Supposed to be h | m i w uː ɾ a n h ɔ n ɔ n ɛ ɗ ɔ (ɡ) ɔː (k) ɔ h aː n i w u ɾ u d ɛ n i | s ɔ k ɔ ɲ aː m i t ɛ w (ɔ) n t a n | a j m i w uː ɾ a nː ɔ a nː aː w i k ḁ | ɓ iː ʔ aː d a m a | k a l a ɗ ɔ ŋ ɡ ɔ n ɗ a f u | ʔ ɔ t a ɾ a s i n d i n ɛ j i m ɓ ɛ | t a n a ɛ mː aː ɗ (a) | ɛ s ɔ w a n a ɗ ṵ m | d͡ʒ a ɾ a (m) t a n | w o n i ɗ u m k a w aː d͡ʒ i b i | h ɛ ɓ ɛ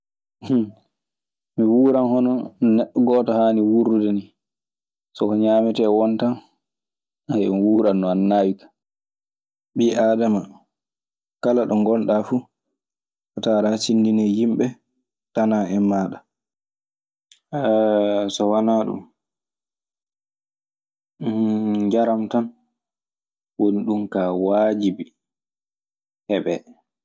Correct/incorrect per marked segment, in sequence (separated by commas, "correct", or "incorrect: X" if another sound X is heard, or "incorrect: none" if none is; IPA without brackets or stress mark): correct, incorrect: t, correct, correct, correct